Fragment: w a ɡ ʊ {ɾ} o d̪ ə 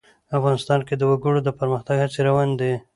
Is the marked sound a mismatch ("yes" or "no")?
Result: yes